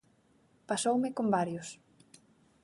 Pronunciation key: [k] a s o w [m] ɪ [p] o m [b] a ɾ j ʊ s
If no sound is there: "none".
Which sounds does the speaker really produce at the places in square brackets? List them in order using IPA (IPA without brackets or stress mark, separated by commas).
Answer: p, m, k, b